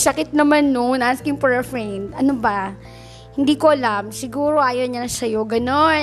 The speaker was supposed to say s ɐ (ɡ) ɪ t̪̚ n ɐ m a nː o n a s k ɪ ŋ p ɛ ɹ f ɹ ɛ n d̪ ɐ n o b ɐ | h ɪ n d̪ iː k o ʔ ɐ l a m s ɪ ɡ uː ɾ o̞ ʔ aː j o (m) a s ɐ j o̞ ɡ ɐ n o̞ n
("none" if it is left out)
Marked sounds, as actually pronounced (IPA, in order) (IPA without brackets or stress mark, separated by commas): k, ɲ